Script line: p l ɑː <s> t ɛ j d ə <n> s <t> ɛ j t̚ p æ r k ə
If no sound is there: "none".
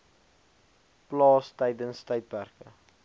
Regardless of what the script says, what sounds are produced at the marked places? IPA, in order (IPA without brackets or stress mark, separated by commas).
s, n, t